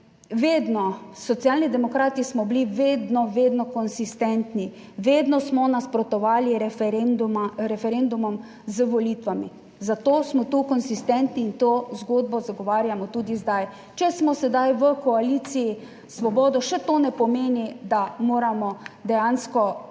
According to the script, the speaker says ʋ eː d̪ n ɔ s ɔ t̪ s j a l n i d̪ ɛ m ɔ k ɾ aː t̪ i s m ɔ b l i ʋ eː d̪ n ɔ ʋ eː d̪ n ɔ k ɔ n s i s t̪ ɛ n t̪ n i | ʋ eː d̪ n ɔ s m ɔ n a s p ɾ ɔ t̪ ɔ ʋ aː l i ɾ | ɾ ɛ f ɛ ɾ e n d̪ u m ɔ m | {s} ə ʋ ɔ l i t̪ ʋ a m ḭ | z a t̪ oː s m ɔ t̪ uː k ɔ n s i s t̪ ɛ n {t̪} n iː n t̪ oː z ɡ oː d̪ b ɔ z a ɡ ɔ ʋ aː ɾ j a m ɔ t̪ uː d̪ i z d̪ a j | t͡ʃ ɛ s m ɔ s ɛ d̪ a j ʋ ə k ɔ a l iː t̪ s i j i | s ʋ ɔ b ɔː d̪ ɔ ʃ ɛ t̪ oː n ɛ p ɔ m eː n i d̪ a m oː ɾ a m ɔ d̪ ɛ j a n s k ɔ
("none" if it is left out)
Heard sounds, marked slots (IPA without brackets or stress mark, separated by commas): z, t̪